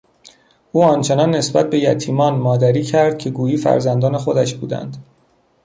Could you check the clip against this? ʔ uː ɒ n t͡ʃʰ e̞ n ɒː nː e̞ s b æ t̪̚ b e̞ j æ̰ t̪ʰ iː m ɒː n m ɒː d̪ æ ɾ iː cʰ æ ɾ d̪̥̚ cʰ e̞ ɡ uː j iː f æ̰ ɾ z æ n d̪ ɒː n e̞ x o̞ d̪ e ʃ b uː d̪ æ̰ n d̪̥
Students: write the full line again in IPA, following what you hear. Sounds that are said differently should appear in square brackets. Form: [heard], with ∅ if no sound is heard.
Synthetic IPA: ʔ uː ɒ n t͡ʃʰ e̞ n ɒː nː e̞ s b æ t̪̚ b e̞ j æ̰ t̪ʰ iː m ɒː n m ɒː d̪ æ ɾ iː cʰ æ ɾ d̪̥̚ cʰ e̞ ɡ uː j iː f æ̰ ɾ z æ n d̪ ɒː n e̞ x o̞ d̪ [æ] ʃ b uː d̪ æ̰ n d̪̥